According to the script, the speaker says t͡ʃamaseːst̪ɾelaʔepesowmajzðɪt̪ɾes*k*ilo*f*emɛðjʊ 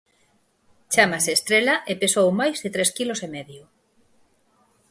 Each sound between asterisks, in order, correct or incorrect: correct, incorrect: s

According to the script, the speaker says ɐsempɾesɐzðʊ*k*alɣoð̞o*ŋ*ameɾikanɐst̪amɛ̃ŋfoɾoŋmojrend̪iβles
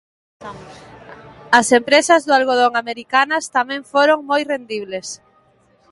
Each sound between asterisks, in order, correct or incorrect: incorrect: none, correct

